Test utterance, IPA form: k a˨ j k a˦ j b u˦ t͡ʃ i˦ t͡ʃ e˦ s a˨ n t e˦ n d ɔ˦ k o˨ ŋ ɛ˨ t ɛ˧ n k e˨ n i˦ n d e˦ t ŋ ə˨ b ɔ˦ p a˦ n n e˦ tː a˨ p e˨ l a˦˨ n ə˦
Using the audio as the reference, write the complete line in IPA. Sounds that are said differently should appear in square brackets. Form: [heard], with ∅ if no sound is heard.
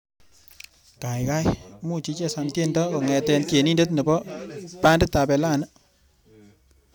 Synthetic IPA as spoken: k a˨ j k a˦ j [m] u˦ t͡ʃ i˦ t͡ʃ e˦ s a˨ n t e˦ n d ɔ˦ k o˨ ŋ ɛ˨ t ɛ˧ n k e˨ n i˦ n d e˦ t [n] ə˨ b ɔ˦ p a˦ n [d] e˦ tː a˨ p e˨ l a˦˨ n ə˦